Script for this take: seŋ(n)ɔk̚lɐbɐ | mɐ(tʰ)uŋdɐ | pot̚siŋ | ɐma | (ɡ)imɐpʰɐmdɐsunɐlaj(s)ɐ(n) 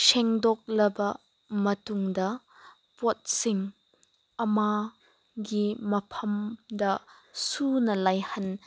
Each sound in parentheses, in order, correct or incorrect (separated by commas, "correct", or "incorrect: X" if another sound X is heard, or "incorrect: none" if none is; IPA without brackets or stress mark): incorrect: d, incorrect: t, correct, incorrect: h, correct